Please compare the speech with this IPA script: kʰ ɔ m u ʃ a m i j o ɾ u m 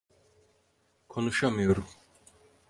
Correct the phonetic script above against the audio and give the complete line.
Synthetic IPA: kʰ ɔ n u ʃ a m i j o ɾ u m